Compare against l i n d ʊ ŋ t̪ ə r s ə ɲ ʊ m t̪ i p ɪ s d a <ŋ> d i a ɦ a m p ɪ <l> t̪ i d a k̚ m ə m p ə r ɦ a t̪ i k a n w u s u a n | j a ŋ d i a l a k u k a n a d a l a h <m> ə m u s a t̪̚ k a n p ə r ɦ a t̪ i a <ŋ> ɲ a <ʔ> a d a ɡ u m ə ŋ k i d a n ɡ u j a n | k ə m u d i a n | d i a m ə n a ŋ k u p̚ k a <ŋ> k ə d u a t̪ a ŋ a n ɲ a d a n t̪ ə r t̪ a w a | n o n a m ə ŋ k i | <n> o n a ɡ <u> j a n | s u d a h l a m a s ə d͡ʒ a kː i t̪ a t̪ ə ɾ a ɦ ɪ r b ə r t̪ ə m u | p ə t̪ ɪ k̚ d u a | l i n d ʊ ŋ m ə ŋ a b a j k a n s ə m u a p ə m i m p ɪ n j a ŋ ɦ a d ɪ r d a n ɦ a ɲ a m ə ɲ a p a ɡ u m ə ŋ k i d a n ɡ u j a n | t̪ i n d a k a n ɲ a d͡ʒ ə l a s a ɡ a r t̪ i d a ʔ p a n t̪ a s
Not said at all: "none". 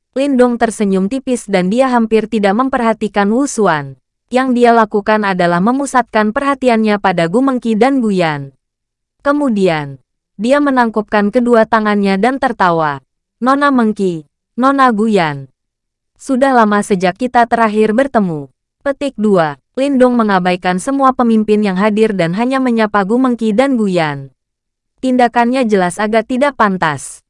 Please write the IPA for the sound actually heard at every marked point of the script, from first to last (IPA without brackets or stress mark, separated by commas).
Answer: n, r, m, n, p, n, n, u